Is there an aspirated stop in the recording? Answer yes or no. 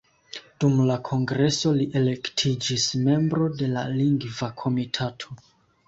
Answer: yes